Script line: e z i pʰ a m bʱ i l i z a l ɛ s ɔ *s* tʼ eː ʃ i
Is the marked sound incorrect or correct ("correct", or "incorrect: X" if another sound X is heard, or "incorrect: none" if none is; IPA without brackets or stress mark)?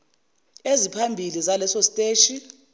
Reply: correct